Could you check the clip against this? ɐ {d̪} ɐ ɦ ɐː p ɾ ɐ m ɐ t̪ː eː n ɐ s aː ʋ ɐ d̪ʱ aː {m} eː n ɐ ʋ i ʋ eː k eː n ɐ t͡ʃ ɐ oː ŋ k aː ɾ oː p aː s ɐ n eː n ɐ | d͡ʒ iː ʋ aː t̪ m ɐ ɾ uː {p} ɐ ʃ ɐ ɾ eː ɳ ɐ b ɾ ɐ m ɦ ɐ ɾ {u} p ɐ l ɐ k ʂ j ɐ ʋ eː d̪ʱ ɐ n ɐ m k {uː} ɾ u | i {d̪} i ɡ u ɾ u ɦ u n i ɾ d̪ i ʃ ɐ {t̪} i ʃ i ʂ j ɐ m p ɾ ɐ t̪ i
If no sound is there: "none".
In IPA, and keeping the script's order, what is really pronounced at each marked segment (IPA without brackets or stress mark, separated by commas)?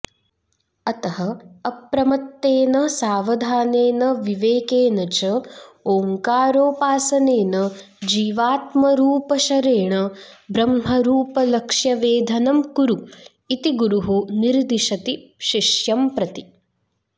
t̪, n, p, uː, u, t̪, t̪